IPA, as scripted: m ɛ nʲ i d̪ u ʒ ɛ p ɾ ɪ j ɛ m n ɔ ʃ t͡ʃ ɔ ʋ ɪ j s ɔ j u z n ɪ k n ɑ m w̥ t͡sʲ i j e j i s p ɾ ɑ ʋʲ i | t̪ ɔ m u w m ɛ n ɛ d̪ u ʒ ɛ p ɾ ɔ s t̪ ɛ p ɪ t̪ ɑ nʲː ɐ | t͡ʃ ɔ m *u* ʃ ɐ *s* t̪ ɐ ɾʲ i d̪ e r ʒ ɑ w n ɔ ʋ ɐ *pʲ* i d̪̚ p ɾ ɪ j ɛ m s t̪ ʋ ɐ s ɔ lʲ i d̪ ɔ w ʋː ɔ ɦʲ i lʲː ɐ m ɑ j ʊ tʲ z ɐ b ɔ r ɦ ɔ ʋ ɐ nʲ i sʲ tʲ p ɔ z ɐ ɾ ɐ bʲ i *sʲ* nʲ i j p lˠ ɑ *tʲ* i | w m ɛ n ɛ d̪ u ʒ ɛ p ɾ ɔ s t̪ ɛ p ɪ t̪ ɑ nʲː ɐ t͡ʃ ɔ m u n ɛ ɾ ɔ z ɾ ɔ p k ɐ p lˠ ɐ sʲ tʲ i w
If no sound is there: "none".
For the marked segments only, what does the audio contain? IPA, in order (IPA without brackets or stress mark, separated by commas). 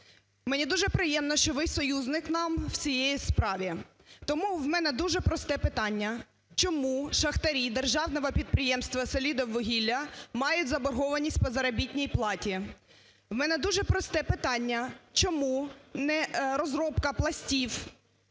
u, x, pʲ, tʲ, tʲ